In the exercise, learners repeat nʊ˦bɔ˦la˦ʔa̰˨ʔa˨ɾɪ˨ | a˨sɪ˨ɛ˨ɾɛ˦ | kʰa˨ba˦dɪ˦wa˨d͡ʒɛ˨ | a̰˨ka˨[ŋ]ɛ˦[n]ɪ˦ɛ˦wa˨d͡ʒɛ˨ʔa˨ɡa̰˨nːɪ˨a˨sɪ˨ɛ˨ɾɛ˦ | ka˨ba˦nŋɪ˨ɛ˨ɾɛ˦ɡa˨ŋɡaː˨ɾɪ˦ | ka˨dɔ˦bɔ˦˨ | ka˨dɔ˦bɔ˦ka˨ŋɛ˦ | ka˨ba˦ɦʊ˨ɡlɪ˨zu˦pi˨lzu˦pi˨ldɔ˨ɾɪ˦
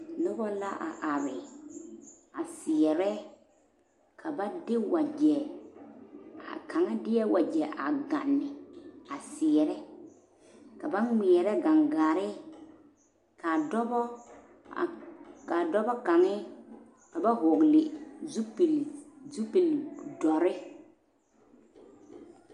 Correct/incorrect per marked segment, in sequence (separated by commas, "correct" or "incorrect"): correct, incorrect